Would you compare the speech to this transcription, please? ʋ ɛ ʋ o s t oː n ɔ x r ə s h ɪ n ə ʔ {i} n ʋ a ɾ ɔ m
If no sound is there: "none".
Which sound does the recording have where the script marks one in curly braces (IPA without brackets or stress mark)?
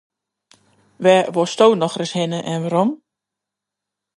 ɛ